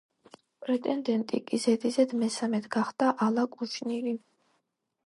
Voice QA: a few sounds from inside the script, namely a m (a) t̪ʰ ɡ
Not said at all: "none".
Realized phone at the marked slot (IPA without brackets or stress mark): ɛ